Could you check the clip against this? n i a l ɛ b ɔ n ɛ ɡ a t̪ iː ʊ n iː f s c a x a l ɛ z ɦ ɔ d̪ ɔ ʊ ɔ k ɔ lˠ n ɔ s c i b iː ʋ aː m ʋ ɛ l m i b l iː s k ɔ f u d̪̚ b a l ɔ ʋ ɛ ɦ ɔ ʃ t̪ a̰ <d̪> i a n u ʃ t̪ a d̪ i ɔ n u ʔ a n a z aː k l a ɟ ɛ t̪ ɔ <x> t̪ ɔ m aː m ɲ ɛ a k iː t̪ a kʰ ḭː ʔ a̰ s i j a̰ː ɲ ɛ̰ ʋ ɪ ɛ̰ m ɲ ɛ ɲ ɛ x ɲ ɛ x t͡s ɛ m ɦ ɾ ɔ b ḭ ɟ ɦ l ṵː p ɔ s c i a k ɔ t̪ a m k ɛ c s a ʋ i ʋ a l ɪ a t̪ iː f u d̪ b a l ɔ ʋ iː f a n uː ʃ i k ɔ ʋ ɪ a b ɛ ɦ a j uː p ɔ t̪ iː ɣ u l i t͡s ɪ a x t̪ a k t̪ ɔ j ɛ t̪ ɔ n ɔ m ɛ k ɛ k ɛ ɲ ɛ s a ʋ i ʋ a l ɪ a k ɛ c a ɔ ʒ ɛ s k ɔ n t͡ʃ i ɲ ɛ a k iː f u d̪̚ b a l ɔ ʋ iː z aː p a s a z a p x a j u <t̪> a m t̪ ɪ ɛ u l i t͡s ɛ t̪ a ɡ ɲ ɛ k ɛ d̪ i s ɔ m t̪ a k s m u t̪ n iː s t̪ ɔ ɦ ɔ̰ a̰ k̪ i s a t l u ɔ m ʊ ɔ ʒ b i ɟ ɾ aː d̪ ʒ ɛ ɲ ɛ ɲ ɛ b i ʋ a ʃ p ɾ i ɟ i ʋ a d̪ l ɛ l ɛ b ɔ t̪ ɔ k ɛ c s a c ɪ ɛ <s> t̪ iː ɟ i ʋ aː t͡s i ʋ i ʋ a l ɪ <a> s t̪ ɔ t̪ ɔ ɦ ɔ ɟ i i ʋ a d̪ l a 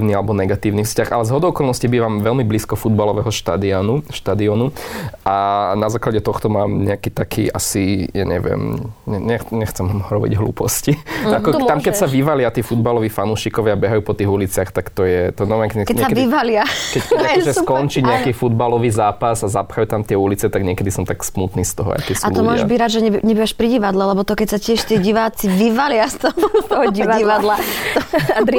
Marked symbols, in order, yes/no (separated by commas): yes, yes, yes, no, yes